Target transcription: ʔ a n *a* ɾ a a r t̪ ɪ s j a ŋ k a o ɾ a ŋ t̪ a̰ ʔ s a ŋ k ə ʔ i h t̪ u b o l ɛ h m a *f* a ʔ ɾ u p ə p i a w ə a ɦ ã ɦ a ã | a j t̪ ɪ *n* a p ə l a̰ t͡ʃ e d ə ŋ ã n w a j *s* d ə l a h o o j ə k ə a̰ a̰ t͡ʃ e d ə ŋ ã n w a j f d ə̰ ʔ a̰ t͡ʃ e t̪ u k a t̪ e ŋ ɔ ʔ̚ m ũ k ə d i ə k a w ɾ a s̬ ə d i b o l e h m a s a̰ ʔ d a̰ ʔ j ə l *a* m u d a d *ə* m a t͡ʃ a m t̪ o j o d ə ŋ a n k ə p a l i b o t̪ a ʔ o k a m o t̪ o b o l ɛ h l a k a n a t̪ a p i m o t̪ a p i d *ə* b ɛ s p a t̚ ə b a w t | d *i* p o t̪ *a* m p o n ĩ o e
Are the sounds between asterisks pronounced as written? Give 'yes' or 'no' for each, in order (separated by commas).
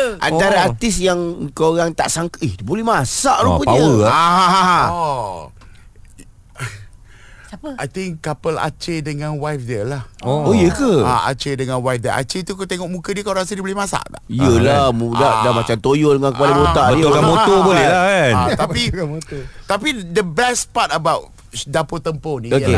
yes, no, no, no, yes, no, yes, no, no